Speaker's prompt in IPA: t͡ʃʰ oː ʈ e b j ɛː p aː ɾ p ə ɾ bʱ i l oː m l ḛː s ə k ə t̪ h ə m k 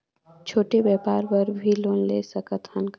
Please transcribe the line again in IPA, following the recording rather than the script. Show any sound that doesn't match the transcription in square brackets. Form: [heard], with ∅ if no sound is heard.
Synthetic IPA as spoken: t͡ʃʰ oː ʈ e b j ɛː p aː ɾ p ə ɾ bʱ i l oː [n] l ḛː s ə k ə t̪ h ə [n] k